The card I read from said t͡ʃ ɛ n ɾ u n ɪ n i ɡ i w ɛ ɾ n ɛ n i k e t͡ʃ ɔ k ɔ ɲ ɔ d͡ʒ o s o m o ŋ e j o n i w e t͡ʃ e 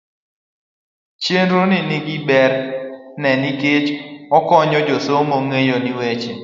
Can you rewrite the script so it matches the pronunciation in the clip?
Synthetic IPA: t͡ʃ e n ɾ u n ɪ n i ɡ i b ɛ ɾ n ɛ n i k e t͡ʃ ɔ k ɔ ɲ ɔ d͡ʒ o s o m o ŋ e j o n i w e t͡ʃ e

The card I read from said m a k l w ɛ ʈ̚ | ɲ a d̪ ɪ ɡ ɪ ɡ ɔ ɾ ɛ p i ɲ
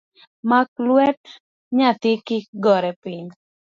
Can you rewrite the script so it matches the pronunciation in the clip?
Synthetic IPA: m a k l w ɛ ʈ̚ | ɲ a t̪ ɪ k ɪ ɡ ɔ ɾ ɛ p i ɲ

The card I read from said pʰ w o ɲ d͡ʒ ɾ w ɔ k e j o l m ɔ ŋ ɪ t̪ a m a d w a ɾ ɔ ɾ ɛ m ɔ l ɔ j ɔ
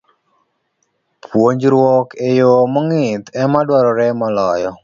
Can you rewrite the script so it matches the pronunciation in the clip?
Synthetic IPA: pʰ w o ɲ d͡ʒ ɾ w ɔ k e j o m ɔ ŋ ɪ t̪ ɛ m a d w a ɾ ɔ ɾ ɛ m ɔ l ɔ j ɔ

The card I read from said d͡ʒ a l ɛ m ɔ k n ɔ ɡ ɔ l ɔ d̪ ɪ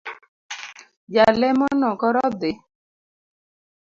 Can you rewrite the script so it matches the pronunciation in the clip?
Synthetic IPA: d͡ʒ a l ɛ m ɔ n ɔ k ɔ ɾ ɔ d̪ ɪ

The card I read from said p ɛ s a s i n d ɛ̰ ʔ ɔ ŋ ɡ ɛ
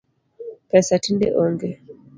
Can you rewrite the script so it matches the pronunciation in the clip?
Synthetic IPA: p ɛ s a t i n d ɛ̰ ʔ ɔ ŋ ɡ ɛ

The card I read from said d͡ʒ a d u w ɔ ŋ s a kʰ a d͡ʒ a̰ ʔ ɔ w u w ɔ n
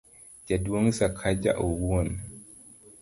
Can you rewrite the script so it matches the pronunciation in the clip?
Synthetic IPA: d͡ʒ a d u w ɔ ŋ s a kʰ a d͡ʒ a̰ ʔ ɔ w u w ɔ n

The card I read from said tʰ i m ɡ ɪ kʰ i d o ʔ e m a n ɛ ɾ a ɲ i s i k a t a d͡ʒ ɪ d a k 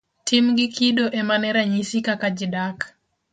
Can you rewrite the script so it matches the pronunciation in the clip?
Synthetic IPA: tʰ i m ɡ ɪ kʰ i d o ʔ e m a n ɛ ɾ a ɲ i s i k a k a d͡ʒ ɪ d a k

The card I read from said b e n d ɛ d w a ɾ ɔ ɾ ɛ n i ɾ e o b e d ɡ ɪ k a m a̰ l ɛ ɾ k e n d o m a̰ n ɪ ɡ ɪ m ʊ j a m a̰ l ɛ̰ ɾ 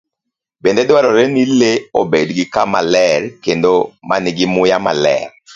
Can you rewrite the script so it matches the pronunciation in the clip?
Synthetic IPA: b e n d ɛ d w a ɾ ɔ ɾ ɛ n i l e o b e d ɡ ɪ k a m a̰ l ɛ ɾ k e n d o m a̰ n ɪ ɡ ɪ m ʊ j a m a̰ l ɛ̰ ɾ

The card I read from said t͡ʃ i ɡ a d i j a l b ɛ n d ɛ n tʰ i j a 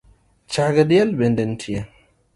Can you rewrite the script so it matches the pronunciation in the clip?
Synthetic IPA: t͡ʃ a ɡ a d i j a l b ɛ n d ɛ n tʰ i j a

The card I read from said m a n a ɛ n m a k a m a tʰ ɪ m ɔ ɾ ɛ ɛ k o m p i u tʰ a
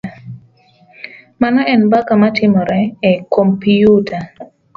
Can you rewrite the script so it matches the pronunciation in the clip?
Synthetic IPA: m a n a ɛ n b a k a m a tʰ ɪ m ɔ ɾ ɛ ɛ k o m p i u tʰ a

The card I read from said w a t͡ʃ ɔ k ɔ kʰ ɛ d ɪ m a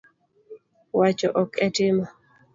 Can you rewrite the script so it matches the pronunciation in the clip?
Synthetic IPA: w a t͡ʃ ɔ ʔ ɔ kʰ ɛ t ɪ m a

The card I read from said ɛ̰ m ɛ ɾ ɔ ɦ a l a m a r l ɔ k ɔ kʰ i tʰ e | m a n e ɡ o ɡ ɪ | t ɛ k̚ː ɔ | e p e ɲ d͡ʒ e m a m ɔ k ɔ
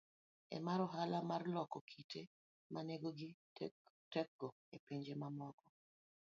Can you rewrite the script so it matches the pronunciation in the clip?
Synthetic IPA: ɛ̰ m a ɾ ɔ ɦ a l a m a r l ɔ k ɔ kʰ i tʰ e | m a n e ɡ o ɡ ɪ | t ɛ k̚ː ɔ | e p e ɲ d͡ʒ e m a m ɔ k ɔ

